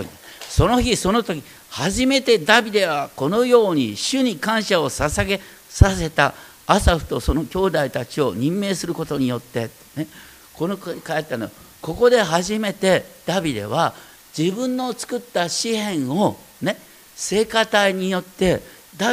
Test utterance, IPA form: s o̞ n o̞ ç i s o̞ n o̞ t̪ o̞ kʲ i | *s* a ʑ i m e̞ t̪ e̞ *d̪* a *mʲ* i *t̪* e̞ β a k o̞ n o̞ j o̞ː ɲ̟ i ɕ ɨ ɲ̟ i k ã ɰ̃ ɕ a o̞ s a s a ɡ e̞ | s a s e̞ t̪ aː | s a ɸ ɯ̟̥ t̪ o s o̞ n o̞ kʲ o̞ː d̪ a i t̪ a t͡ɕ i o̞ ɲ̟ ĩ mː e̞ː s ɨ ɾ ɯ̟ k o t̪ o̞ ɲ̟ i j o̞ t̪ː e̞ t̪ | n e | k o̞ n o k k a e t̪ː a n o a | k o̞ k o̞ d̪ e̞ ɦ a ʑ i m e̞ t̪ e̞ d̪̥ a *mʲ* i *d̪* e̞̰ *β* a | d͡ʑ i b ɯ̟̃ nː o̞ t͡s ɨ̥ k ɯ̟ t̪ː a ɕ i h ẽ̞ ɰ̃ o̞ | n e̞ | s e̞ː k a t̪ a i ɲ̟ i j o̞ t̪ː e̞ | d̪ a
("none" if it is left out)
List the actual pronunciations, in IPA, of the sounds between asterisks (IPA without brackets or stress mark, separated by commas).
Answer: h, d̪, bʲ, d̪, bʲ, d̪, β